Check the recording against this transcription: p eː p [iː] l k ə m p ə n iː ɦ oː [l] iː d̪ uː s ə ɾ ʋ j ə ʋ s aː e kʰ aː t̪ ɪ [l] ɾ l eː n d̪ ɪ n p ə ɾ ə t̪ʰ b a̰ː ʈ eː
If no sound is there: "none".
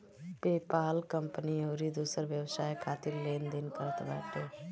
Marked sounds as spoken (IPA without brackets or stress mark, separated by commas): aː, ɾ, none